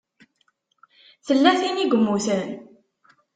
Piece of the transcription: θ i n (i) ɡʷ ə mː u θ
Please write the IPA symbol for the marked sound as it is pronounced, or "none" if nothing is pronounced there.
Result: i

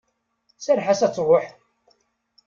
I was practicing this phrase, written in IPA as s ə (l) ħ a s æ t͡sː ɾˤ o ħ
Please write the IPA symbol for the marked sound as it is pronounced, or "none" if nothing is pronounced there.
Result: ɾ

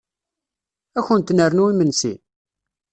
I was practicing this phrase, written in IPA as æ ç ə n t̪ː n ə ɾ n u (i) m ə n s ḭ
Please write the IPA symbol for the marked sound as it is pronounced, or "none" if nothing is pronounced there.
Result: i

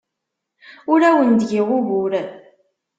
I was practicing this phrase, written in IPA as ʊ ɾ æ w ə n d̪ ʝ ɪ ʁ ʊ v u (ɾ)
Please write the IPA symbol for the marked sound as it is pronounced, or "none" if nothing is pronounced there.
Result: ɾ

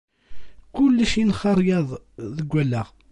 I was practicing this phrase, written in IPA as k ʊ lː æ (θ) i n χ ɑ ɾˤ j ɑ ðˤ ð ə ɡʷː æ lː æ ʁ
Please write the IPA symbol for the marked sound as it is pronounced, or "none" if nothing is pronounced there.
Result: ʃ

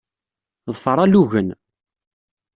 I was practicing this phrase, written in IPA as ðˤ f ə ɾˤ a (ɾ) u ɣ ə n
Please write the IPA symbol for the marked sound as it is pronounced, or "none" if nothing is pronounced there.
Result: l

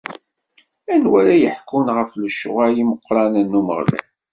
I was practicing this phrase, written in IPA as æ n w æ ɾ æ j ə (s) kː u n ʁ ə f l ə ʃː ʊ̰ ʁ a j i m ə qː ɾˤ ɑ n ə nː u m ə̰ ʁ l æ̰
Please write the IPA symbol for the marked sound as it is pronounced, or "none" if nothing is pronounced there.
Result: ħ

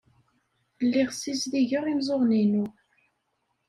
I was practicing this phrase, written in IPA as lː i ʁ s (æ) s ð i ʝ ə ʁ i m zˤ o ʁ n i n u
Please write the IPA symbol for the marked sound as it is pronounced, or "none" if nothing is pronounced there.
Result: i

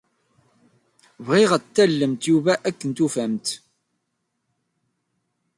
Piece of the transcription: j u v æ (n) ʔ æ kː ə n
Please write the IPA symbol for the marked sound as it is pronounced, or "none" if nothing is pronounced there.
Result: none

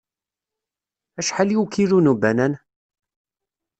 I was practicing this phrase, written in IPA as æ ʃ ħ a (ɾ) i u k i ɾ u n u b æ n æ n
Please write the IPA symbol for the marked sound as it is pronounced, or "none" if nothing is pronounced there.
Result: l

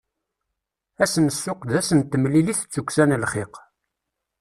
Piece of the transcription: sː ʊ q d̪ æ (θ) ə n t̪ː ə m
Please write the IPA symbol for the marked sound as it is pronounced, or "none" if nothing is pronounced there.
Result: s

